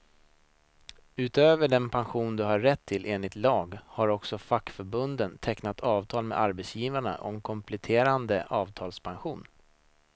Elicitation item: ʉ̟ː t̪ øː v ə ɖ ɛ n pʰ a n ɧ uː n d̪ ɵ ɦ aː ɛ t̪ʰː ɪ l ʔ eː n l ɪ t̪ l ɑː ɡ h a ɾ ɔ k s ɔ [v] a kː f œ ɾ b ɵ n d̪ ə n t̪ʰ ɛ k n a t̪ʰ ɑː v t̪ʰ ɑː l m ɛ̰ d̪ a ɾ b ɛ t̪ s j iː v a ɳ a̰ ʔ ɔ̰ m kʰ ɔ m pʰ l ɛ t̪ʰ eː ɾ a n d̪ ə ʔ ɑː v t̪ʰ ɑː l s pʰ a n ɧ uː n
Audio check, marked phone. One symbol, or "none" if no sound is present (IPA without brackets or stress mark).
f